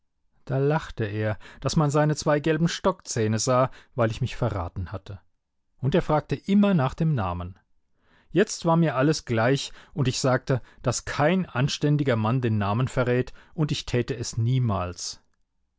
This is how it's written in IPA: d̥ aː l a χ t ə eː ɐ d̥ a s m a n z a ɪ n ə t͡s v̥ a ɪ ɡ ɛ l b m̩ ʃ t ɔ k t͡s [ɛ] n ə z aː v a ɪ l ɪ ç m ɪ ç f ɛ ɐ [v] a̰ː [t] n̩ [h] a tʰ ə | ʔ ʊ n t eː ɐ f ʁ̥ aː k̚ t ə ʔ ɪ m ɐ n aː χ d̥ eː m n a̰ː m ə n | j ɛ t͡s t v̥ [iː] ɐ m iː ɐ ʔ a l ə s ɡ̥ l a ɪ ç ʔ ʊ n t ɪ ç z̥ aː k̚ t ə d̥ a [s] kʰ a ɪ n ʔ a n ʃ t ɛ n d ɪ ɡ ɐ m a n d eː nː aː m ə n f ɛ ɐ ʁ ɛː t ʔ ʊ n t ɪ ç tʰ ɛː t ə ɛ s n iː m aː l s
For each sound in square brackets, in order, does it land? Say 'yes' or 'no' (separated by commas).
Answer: no, no, yes, yes, no, yes